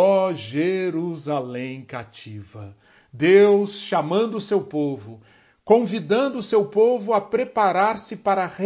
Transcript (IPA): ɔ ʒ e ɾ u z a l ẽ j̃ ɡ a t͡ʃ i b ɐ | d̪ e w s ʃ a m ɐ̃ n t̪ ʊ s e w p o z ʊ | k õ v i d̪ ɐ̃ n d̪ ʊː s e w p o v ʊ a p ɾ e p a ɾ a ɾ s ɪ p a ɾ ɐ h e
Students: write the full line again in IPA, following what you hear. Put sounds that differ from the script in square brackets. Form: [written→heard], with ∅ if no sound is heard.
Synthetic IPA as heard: ɔ ʒ e ɾ u z a l ẽ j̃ [ɡ→k] a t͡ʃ i [b→v] ɐ | d̪ e w s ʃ a m ɐ̃ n [t̪→d̪] ʊ s e w p o [z→v] ʊ | k õ v i d̪ ɐ̃ n d̪ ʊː s e w p o v ʊ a p ɾ e p a ɾ a ɾ s ɪ p a ɾ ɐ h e